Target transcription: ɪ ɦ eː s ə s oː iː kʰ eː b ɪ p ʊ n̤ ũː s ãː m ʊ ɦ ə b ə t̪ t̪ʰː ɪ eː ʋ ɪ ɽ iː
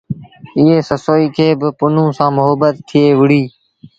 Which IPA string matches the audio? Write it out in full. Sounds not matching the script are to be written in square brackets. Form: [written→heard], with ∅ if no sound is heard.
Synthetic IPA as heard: ɪ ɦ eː s ə s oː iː kʰ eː b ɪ p ʊ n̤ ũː s ãː m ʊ ɦ ə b ə t̪ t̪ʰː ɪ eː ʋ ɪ ɽ iː